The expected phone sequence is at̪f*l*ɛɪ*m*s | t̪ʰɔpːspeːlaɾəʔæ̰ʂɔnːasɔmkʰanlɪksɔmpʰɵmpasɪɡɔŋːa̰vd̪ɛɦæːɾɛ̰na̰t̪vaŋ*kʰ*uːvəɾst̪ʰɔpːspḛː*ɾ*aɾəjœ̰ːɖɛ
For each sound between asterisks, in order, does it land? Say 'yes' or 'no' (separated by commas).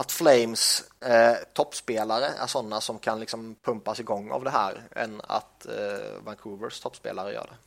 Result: yes, yes, yes, no